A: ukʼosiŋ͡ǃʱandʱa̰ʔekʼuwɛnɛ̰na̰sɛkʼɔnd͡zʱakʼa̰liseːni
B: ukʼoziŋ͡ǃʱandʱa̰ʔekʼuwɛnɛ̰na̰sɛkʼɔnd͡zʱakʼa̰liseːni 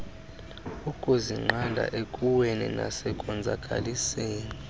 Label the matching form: B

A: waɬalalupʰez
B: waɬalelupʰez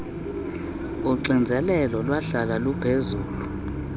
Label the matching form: A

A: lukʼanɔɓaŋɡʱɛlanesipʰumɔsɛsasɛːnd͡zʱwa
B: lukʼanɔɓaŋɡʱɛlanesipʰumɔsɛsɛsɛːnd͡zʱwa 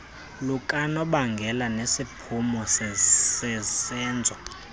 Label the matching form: B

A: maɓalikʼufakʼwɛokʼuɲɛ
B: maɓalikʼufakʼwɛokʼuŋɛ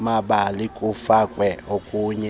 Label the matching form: A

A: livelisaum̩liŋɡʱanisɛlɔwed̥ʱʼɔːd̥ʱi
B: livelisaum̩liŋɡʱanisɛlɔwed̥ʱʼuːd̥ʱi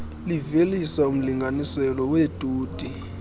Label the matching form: B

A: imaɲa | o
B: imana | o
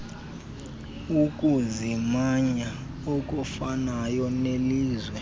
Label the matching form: A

